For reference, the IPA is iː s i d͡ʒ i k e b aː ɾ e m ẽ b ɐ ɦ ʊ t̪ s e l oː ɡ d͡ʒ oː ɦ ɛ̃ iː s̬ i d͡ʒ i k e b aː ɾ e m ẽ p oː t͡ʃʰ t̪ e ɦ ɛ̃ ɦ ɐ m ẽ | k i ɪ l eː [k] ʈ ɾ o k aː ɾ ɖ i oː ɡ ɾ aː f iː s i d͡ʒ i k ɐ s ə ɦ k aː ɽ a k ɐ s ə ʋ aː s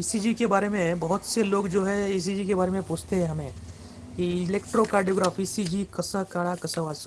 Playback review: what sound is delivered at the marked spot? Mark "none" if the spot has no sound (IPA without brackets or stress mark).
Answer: k